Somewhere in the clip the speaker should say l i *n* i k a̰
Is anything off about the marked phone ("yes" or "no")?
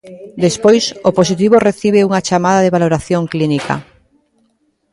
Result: no